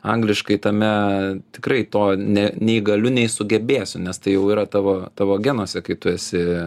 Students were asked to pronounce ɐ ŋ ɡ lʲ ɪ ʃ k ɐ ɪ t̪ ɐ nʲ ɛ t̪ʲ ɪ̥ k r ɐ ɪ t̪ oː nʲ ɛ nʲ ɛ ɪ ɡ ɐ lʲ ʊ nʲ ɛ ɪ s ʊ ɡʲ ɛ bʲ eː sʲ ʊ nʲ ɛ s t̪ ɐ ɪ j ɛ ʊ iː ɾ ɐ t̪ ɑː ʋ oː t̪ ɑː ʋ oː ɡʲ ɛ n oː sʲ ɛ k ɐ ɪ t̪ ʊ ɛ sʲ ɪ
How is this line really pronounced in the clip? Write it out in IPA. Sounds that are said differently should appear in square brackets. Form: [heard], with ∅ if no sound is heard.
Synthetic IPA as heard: ɐ ŋ ɡ lʲ ɪ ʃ k ɐ ɪ t̪ ɐ [mʲ] ɛ t̪ʲ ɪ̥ k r ɐ ɪ t̪ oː nʲ ɛ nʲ ɛ ɪ ɡ ɐ lʲ ʊ nʲ ɛ ɪ s ʊ ɡʲ ɛ bʲ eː sʲ ʊ nʲ ɛ s t̪ ɐ ɪ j ɛ ʊ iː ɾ ɐ t̪ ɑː ʋ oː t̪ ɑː ʋ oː ɡʲ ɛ n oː sʲ ɛ k ɐ ɪ t̪ ʊ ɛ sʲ ɪ